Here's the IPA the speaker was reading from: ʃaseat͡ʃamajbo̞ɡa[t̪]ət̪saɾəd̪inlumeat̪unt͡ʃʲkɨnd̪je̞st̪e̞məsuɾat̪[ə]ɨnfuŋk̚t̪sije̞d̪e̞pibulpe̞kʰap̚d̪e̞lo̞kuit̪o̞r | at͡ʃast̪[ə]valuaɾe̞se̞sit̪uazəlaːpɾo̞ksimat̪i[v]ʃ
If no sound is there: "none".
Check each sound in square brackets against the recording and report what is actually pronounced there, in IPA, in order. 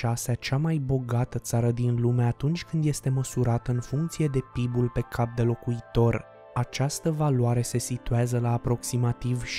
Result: t̪, ə, ə, v

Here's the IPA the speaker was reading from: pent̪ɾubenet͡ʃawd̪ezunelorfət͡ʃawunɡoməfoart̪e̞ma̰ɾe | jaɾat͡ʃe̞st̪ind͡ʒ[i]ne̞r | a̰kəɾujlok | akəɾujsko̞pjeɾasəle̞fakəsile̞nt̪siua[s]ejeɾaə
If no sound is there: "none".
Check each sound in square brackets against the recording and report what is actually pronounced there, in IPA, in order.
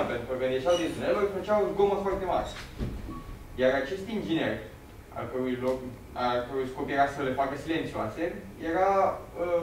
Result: i, s

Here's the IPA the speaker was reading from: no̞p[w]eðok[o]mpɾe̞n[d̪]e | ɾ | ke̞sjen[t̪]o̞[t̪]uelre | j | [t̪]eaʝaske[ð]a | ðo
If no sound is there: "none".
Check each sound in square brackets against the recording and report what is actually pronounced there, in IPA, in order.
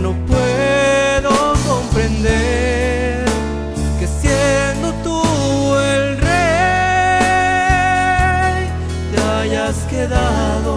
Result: w, o, d̪, d̪, t̪, t̪, ð

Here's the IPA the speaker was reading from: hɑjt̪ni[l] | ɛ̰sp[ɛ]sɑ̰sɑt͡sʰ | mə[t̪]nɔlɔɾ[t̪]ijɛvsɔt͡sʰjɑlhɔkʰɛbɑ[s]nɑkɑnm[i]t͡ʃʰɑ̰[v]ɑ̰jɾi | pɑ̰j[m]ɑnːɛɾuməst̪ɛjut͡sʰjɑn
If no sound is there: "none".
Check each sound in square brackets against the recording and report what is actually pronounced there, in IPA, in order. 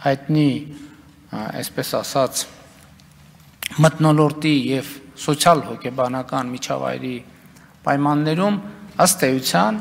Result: none, ɛ, t̪, t̪, none, i, v, m

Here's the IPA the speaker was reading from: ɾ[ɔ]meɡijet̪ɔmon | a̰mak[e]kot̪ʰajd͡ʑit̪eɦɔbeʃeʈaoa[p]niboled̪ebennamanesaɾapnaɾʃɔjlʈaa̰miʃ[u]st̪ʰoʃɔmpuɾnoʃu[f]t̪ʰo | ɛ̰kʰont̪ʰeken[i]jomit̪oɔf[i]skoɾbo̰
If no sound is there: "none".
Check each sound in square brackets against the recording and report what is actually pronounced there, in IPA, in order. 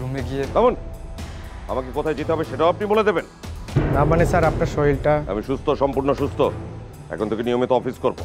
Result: u, e, p, u, s, i, i

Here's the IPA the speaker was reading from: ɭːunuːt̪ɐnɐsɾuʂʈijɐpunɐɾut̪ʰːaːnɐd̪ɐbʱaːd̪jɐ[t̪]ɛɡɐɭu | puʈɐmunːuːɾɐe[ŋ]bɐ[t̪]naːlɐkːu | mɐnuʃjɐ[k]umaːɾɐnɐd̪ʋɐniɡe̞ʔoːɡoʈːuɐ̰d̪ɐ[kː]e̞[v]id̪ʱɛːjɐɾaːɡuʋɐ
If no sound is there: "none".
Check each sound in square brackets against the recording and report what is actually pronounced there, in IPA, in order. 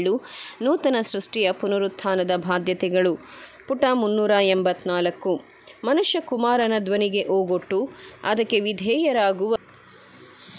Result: t̪, m, t̪, k, kː, ʋ

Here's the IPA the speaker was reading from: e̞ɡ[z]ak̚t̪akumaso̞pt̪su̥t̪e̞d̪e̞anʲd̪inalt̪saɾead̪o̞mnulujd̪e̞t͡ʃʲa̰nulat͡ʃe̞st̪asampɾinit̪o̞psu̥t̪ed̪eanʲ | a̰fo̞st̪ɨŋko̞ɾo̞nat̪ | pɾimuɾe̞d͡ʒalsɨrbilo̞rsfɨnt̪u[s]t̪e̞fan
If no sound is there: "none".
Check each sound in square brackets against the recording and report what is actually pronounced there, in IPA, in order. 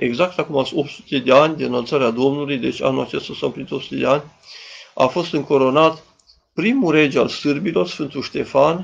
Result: z, ʃ

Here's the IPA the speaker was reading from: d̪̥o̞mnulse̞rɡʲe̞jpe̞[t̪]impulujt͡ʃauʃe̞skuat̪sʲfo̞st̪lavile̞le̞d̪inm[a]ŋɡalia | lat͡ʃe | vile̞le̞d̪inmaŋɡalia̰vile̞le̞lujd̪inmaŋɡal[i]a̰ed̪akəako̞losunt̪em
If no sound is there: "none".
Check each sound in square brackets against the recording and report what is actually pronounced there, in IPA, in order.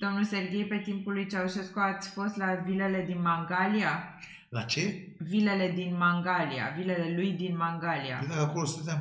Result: t̪, a, i

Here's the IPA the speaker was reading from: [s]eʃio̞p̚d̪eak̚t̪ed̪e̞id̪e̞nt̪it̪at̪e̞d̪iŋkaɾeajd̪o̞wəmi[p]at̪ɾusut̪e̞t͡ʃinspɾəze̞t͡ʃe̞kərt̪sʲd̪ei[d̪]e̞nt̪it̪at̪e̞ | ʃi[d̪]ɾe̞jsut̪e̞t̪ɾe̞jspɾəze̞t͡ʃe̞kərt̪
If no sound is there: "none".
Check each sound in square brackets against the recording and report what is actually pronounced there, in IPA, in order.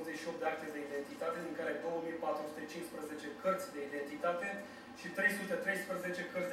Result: z, p, d̪, t̪

